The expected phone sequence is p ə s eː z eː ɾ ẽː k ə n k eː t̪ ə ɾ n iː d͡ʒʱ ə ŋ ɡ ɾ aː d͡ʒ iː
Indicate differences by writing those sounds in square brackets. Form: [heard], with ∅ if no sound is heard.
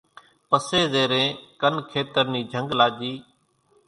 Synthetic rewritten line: p ə s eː z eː ɾ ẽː k ə n [kʰ] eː t̪ ə ɾ n iː d͡ʒʱ ə ŋ ɡ [l] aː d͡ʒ iː